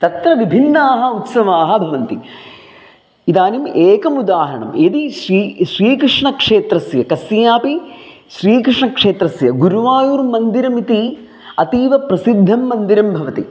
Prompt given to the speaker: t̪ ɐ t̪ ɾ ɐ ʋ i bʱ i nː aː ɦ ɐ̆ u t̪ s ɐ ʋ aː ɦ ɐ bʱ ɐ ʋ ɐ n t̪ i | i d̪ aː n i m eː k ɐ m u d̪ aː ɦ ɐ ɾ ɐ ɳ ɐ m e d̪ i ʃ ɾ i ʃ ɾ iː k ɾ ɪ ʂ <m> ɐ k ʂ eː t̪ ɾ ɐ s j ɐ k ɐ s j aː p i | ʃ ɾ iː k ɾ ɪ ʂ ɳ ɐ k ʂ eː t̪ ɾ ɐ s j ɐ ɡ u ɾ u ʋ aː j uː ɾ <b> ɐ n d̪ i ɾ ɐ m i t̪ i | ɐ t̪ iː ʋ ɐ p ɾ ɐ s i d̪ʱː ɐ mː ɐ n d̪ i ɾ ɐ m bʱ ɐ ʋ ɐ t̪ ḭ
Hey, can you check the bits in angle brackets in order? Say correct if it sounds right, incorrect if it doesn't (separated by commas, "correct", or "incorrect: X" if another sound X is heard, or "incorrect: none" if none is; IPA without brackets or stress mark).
incorrect: ɳ, incorrect: m